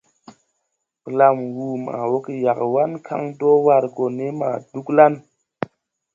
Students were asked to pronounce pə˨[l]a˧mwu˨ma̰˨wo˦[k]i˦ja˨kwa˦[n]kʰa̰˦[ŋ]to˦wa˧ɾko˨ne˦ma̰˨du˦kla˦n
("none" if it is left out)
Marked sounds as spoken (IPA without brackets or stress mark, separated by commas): l, k, n, ŋ